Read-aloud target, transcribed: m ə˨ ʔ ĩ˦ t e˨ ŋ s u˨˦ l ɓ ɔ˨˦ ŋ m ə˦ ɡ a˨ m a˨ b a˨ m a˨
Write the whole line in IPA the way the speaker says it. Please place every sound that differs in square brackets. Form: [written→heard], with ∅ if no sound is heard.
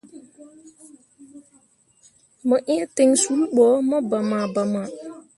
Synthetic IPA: m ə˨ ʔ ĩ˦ t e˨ ŋ s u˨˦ l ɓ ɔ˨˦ [ŋ→∅] m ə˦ [ɡ→b] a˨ m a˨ b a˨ m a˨

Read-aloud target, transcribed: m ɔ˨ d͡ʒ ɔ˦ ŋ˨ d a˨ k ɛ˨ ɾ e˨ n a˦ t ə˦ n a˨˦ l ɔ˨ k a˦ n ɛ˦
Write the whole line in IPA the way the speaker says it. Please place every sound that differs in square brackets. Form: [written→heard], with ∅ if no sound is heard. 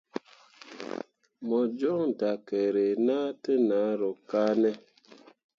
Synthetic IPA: m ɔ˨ d͡ʒ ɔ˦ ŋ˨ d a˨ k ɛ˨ ɾ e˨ n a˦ t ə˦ n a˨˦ [l→ɾ] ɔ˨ k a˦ n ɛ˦

